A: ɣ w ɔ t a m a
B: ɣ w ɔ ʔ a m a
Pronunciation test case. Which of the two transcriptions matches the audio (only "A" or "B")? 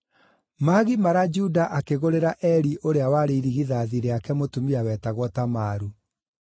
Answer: A